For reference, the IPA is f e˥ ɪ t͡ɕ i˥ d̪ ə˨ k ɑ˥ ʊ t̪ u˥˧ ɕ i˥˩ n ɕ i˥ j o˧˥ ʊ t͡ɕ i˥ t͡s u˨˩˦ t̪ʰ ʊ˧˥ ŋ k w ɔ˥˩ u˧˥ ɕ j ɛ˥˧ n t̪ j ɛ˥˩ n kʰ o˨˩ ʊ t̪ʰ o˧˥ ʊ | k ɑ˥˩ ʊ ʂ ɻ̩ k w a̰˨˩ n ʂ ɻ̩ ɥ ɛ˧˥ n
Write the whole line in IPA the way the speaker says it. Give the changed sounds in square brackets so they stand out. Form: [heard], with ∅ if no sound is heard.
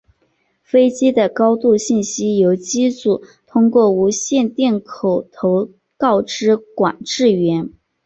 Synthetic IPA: f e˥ ɪ t͡ɕ i˥ d̪ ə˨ k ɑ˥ ʊ t̪ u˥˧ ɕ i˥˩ n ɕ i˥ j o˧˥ ʊ t͡ɕ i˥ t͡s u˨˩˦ t̪ʰ [ʊ˥] ŋ k w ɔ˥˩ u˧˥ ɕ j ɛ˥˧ n t̪ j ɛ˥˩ n kʰ o˨˩ ʊ t̪ʰ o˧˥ ʊ | k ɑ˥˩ ʊ [ʈ͡ʂ] ɻ̩ k w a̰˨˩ n [ʈ͡ʂ] ɻ̩ ɥ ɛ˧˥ n